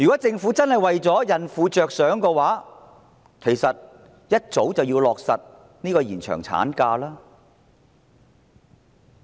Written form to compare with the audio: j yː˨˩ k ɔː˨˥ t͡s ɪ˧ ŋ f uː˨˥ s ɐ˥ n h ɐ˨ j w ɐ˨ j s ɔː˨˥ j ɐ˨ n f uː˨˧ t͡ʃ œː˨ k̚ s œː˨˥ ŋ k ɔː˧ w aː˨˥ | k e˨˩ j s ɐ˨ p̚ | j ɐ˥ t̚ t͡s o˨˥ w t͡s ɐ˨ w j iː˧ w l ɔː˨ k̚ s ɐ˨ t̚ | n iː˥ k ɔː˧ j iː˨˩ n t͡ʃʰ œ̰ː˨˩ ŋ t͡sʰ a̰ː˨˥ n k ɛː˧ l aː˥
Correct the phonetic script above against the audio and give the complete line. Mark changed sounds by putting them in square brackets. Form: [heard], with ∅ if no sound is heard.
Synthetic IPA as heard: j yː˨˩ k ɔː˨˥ t͡s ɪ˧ ŋ f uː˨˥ [t͡s] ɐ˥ n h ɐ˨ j w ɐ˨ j [t͡s] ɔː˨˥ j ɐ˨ n f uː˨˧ t͡ʃ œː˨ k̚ s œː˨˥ ŋ k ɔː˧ w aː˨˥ | [kʰ] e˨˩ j s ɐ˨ [t̚] | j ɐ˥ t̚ t͡s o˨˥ w t͡s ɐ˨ w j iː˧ w l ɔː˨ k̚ s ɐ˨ t̚ | n iː˥ k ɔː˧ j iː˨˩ n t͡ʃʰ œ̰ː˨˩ ŋ t͡sʰ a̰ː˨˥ n k [aː˧] l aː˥